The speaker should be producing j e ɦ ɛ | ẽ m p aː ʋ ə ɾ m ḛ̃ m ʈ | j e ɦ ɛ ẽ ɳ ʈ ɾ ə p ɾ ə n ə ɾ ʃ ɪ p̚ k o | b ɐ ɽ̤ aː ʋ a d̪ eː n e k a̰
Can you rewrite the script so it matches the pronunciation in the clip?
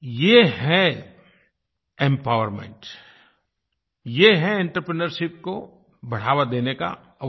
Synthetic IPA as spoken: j e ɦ ɛ | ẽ m p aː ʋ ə ɾ m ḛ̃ ɳ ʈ | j e ɦ ɛ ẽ ɳ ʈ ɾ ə p ɾ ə n ə ɾ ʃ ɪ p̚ k o | b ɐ ɽ̤ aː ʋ a d̪ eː n e k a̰